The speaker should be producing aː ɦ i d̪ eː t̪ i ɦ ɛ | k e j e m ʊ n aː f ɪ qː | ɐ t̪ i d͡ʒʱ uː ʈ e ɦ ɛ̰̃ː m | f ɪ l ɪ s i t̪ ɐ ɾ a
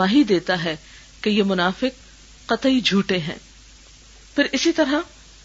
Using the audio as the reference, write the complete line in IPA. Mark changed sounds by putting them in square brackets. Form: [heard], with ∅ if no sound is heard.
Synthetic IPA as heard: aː ɦ i d̪ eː t̪ [a] ɦ ɛ | k e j e m ʊ n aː f ɪ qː | ɐ t̪ i d͡ʒʱ uː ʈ e ɦ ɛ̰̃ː [∅] | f ɪ [ɾ] ɪ s i t̪ ɐ ɾ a